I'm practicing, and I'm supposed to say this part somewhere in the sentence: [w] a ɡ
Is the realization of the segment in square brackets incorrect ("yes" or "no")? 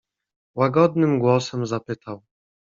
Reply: no